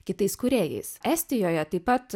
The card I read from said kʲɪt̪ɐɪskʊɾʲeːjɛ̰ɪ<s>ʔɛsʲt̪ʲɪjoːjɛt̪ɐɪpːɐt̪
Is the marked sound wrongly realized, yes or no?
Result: no